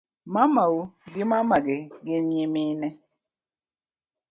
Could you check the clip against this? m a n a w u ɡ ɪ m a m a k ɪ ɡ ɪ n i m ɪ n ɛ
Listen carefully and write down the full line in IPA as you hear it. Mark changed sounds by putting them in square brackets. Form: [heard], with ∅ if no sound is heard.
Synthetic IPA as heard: m a [m] a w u ɡ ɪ m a m a [ɡ] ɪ ɡ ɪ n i m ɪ n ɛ